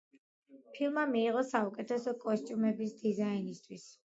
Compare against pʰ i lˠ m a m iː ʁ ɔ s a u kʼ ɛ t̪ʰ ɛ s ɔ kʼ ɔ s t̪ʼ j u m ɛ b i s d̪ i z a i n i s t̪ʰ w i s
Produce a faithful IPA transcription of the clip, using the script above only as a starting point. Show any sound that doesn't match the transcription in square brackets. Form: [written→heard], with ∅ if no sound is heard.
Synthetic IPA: pʰ i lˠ m a m iː ʁ ɔ s a u kʼ ɛ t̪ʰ ɛ s ɔ kʼ ɔ s t̪ʼ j u m ɛ b i s d̪ i z a i n i s t̪ʰ w i s